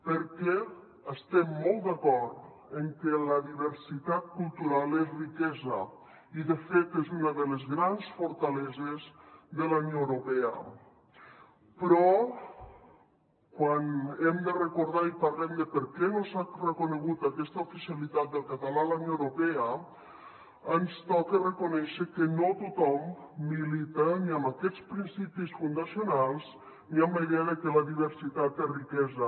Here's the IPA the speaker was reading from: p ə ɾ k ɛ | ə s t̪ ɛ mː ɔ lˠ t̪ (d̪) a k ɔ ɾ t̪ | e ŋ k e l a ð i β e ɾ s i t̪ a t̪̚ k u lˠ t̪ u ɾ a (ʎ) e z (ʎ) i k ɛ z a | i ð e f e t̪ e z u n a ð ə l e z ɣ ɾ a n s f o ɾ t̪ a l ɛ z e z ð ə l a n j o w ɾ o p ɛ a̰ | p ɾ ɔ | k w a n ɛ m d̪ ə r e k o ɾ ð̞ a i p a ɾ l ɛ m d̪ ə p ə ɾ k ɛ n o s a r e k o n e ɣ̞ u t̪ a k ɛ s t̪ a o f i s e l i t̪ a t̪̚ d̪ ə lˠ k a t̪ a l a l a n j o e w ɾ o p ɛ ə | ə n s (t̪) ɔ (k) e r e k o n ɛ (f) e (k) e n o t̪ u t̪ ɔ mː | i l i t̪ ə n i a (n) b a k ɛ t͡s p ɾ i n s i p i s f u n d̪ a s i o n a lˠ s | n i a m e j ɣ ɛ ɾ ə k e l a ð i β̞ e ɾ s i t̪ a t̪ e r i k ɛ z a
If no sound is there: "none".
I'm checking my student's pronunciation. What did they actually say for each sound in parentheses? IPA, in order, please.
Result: d̪, l, r, t̪, k, ʃ, k, m

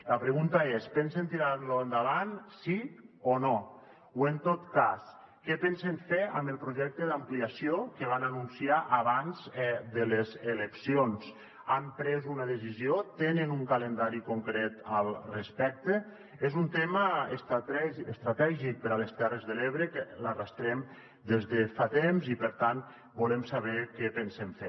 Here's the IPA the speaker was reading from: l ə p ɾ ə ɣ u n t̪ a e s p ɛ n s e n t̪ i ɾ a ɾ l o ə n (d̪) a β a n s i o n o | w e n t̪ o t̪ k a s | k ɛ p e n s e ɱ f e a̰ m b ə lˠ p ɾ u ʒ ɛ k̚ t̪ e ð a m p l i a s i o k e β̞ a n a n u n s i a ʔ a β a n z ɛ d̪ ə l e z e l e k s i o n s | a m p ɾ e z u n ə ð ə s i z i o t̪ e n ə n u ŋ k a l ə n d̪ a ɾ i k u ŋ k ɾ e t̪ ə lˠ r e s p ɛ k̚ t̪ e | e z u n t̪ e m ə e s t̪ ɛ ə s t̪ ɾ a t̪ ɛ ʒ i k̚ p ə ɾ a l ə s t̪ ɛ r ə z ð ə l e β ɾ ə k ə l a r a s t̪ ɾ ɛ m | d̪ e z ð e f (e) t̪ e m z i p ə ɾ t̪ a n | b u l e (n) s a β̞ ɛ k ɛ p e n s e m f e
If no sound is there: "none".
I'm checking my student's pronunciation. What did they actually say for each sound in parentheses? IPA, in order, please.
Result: d̪, a, m

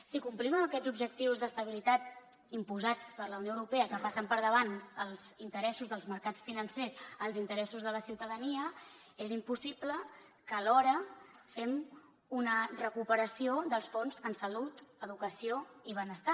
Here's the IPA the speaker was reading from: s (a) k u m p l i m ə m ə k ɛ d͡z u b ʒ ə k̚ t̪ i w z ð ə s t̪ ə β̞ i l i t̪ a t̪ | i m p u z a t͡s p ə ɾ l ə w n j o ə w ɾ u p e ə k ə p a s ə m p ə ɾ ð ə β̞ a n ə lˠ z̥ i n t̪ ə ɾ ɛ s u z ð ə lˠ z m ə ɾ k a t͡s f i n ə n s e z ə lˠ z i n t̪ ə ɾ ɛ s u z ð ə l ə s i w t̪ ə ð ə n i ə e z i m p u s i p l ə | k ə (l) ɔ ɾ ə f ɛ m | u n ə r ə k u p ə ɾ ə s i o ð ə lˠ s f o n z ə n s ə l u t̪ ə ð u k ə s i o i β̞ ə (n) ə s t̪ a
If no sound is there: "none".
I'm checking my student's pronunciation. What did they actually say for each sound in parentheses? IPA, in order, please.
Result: i, l, n

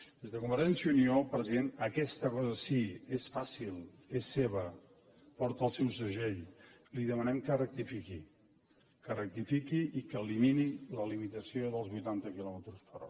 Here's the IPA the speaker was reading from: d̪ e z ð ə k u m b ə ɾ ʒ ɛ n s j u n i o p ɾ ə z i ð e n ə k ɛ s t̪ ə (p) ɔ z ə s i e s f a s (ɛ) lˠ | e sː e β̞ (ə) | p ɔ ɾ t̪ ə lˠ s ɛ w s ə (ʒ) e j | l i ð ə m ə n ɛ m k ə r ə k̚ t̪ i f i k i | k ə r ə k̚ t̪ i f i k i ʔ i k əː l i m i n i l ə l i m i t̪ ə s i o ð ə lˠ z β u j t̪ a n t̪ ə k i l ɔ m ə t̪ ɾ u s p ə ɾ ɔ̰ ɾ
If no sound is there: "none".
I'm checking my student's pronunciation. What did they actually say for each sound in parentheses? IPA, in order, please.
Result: k, i, ə, ʒ

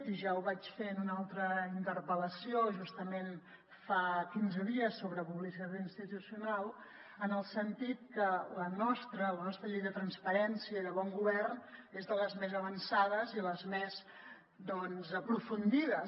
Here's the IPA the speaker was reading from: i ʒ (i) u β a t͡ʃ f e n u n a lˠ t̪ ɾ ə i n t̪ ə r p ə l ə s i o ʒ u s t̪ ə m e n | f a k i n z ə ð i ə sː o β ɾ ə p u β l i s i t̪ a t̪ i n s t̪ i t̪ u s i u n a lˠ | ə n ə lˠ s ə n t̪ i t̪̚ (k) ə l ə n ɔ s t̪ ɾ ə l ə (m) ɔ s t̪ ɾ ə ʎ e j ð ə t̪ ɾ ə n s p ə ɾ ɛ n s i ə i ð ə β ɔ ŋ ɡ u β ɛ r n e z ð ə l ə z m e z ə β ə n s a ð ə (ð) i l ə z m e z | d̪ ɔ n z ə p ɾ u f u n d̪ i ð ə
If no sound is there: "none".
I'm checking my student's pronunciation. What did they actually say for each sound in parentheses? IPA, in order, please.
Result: a, k, n, z

